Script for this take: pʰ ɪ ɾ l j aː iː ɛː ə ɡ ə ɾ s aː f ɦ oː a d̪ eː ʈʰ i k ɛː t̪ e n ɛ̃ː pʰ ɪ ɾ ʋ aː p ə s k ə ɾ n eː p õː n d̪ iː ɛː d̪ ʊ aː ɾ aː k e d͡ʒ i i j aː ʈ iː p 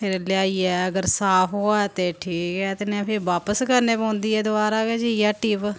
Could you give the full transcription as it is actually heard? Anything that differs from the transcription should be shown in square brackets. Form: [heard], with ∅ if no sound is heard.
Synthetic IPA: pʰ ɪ ɾ l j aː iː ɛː ə ɡ ə ɾ s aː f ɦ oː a [t̪] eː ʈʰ [iː] k ɛː t̪ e n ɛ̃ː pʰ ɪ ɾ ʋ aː p ə s k ə ɾ n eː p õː n d̪ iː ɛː d̪ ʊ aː ɾ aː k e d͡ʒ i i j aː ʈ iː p